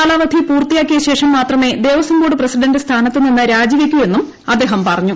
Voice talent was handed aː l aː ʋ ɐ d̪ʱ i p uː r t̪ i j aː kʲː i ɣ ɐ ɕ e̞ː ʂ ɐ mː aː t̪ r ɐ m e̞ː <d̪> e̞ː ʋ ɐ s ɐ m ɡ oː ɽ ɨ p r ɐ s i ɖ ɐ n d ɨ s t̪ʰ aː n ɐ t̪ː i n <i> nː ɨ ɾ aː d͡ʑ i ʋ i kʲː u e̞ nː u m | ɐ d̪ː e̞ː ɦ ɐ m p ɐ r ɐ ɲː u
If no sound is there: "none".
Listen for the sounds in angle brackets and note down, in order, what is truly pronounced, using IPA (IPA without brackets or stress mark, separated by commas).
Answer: d̪, i